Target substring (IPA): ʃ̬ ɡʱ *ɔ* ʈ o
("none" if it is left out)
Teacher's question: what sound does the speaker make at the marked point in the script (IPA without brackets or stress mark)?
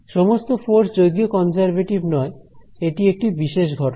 ɔ